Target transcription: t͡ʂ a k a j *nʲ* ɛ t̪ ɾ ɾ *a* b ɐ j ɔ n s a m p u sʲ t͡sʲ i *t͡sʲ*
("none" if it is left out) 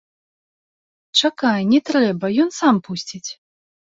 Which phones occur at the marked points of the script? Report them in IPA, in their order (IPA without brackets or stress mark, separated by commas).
nʲ, ɛ, t͡sʲ